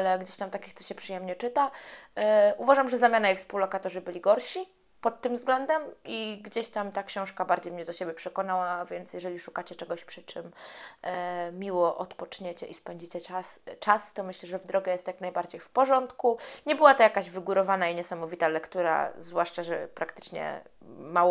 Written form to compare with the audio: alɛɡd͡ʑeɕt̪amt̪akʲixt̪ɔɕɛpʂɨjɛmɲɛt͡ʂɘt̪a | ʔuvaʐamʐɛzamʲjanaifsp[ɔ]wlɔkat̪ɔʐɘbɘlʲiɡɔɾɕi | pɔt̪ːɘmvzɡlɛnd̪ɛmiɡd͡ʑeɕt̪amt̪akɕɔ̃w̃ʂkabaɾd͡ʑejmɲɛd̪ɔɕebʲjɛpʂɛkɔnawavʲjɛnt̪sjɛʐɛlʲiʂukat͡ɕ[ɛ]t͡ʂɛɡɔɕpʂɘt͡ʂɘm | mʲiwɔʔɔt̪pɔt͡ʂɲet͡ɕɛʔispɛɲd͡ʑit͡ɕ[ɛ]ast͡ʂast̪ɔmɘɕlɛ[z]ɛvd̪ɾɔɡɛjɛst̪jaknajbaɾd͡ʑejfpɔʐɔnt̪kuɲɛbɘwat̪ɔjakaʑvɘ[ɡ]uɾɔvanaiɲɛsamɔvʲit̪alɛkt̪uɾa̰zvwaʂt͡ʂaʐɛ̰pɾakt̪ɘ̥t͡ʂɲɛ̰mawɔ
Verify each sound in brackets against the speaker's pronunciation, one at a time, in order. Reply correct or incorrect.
incorrect, correct, correct, incorrect, correct

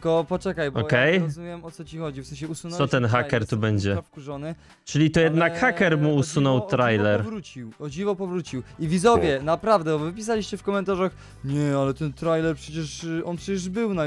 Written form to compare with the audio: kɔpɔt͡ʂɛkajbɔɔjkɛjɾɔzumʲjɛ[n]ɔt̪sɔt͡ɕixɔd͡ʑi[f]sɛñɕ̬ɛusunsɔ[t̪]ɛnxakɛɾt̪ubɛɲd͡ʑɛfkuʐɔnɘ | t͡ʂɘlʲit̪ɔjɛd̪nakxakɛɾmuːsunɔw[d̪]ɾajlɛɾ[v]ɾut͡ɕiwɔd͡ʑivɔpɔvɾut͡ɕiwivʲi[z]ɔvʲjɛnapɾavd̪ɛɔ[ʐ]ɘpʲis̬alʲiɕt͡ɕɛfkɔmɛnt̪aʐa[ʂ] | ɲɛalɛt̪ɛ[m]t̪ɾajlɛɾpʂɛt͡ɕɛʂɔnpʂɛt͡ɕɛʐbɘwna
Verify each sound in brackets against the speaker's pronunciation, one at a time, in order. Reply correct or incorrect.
incorrect, correct, correct, incorrect, correct, correct, incorrect, incorrect, incorrect

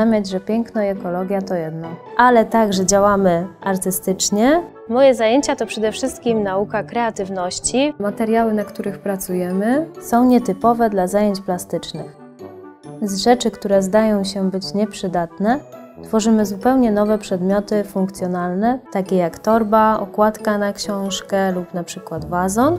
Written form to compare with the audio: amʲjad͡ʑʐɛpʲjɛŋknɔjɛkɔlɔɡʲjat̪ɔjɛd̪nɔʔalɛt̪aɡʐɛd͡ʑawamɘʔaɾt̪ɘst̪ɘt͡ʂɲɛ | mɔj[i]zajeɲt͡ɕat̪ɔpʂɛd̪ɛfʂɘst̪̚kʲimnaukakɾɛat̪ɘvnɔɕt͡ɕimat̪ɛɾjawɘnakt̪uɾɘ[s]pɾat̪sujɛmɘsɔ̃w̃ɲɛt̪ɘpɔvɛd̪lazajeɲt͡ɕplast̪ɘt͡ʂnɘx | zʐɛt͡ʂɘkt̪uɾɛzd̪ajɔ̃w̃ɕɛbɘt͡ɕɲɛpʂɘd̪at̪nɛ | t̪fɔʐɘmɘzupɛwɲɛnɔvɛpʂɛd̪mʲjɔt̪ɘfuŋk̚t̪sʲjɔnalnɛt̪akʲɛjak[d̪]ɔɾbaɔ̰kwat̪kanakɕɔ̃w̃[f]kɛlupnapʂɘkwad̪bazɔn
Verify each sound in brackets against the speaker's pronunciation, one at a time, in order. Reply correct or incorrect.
incorrect, incorrect, incorrect, incorrect

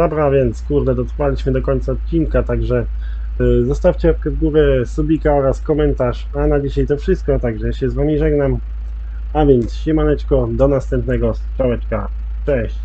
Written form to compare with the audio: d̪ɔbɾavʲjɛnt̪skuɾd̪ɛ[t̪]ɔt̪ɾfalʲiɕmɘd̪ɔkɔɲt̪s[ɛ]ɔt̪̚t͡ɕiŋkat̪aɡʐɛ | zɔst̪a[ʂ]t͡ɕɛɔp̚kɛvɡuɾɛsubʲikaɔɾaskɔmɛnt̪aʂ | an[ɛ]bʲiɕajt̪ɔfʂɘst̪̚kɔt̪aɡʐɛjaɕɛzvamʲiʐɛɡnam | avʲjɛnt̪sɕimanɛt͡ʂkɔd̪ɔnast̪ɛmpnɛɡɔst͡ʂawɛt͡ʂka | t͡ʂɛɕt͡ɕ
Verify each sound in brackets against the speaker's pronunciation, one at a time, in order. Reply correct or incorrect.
incorrect, incorrect, incorrect, incorrect

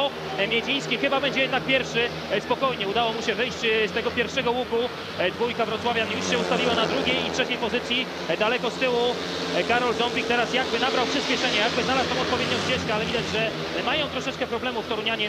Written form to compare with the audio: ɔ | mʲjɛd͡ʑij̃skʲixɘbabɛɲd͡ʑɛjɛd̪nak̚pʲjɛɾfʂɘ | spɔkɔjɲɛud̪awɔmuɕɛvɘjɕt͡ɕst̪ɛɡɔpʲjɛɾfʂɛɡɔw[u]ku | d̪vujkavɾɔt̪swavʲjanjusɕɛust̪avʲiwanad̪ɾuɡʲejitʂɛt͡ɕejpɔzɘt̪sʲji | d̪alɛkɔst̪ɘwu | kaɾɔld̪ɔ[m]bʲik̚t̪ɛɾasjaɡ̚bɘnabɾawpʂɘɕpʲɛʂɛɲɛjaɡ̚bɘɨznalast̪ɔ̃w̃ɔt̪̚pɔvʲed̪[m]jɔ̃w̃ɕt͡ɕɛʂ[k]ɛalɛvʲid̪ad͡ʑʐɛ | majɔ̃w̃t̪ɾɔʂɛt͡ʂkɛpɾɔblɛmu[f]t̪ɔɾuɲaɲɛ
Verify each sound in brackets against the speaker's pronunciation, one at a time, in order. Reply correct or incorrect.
correct, correct, incorrect, correct, correct

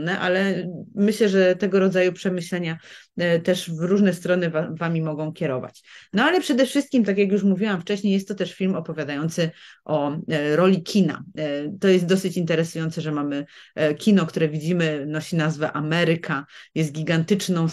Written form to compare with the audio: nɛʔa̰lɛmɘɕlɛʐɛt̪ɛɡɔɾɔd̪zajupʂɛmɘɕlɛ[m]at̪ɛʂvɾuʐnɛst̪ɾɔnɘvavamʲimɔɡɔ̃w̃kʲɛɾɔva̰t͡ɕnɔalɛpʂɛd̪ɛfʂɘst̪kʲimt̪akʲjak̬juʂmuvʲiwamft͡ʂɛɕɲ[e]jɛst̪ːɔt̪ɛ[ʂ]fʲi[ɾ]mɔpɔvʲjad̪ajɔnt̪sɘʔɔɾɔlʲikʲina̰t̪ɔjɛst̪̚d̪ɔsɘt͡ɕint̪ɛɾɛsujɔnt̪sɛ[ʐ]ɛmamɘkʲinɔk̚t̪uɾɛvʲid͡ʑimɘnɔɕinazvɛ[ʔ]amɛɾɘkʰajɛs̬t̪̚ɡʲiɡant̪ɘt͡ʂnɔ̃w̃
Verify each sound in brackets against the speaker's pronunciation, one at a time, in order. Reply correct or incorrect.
incorrect, correct, correct, incorrect, correct, correct

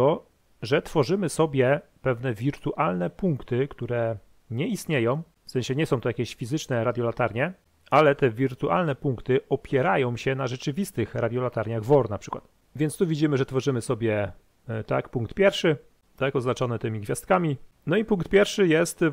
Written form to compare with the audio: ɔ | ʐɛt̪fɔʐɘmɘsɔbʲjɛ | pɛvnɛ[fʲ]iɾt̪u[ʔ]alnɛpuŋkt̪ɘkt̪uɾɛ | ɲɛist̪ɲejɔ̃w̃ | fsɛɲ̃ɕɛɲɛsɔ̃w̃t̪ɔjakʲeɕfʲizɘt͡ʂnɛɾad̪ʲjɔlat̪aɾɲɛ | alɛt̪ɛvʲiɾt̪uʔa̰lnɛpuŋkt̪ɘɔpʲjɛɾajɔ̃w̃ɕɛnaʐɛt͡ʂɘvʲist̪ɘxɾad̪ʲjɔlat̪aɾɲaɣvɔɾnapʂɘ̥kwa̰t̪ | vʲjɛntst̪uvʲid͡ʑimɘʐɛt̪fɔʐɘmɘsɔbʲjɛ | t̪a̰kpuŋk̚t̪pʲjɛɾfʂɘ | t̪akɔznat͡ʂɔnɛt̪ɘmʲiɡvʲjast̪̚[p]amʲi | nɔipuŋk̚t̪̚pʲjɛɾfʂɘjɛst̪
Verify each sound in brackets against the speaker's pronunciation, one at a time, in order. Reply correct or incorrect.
incorrect, correct, incorrect

